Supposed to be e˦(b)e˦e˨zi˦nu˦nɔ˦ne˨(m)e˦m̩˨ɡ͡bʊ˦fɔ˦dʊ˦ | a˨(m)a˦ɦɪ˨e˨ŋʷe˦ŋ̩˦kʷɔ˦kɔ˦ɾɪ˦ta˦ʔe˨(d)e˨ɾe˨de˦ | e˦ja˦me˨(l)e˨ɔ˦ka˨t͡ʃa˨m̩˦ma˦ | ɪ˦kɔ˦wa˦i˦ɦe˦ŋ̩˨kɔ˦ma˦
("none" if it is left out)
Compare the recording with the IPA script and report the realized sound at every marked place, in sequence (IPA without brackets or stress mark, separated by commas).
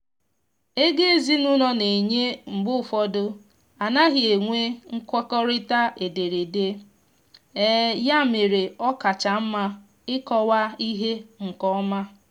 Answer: ɡ, ɲ, n, d, ɾ